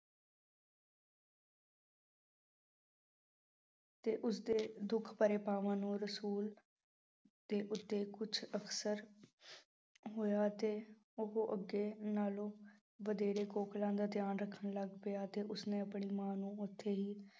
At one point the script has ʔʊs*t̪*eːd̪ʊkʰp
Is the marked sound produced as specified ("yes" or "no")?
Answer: no